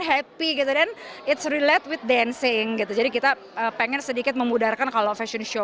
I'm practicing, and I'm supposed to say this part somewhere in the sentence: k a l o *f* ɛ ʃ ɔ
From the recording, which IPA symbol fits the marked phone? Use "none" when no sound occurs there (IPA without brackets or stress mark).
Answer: f